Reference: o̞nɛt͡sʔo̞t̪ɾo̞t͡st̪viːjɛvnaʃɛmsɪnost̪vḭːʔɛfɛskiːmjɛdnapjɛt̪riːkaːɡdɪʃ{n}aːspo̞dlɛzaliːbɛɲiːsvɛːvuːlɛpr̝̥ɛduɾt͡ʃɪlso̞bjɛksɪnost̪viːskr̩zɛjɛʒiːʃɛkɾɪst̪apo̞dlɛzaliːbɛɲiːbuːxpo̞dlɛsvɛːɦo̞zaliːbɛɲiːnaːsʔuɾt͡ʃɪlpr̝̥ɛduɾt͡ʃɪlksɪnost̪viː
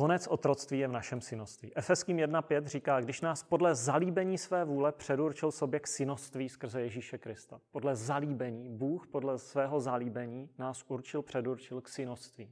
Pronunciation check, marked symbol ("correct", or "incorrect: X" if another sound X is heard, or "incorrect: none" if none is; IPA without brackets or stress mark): correct